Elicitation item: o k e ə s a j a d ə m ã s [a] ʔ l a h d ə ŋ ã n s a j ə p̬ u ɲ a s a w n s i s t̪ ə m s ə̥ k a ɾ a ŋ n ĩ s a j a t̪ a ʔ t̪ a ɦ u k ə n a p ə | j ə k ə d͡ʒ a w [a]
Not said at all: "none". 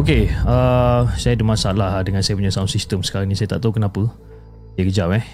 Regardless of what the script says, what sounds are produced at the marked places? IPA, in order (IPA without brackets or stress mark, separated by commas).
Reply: a, ɛ